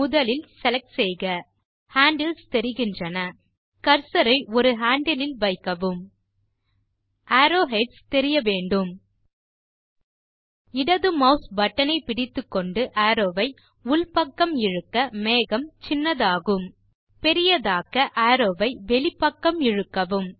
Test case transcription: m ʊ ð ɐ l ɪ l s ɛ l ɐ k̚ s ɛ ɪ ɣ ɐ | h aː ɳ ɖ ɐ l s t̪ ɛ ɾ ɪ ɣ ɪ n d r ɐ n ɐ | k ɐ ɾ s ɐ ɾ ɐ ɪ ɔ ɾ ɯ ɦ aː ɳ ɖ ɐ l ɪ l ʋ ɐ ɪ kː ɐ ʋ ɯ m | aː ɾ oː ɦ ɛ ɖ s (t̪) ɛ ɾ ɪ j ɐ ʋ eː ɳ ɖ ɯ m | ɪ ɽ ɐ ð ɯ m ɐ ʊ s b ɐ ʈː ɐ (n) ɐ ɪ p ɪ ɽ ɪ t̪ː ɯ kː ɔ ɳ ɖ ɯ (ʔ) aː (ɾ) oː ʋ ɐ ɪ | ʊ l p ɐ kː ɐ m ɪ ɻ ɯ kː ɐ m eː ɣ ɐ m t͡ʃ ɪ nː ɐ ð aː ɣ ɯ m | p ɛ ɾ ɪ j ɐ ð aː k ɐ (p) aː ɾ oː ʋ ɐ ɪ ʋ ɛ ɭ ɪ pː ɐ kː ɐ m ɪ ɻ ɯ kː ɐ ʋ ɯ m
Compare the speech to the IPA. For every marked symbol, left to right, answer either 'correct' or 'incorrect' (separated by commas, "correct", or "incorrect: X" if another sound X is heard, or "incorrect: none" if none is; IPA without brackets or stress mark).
correct, correct, correct, correct, incorrect: ʔ